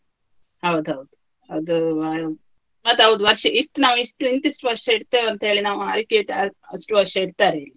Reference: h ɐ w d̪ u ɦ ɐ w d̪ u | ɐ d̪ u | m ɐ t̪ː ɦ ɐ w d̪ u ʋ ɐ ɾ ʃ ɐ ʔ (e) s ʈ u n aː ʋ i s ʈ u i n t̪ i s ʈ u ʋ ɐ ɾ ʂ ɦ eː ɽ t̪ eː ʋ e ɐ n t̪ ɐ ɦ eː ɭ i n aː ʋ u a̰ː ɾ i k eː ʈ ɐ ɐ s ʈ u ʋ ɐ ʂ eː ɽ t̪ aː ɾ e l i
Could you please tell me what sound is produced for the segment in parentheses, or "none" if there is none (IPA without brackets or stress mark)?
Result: i